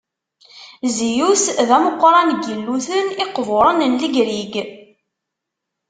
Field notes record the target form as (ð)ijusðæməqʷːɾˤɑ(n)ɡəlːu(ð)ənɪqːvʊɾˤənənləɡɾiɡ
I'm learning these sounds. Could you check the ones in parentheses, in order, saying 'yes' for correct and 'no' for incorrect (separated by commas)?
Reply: no, yes, no